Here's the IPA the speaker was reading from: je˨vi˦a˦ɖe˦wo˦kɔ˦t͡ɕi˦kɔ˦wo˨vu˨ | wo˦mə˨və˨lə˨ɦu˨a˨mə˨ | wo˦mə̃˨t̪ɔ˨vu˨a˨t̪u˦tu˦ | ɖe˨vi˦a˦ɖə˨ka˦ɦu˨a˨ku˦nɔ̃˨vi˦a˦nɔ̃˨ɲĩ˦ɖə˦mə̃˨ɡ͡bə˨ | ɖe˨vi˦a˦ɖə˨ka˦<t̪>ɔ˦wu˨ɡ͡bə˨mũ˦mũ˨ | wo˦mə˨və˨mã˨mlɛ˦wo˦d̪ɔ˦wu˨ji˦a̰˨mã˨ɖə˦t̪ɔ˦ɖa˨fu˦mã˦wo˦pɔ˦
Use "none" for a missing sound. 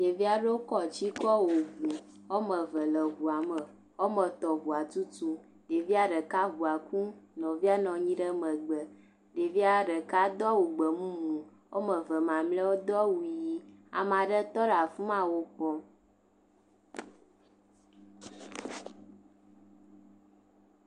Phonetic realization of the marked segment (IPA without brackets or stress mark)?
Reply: d̪